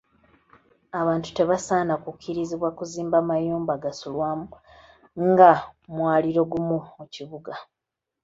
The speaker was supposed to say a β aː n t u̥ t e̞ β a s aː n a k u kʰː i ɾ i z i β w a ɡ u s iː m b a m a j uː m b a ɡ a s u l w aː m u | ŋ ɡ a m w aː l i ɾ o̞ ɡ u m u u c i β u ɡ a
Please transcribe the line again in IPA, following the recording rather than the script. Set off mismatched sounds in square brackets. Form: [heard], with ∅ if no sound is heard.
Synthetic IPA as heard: a β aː n t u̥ t e̞ β a s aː n a k u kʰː i ɾ i z i β w a [k] u [z] iː m b a m a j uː m b a ɡ a s u l w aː m u | ŋ ɡ a m w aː l i ɾ o̞ ɡ u m u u c i β u ɡ a